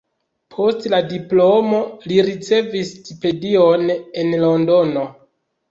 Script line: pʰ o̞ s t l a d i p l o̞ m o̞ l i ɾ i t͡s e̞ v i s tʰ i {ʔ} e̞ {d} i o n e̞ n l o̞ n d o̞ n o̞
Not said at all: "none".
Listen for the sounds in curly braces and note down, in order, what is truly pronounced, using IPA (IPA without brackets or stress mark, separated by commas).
p, d